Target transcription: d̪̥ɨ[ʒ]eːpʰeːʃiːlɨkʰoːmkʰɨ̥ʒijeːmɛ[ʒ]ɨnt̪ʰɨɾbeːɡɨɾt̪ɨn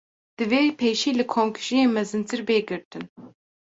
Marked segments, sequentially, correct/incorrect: incorrect: v, incorrect: z

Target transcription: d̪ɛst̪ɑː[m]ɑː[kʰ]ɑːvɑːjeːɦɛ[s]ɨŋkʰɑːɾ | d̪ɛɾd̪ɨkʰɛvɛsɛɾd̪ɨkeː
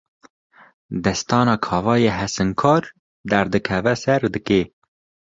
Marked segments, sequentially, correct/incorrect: incorrect: n, correct, correct

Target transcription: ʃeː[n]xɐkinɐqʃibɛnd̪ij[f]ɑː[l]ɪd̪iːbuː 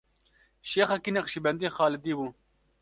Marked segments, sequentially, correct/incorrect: incorrect: none, incorrect: x, correct

